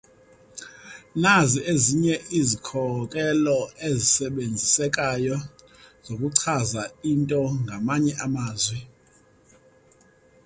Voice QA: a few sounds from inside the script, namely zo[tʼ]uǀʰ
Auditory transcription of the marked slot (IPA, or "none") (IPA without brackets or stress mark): kʼ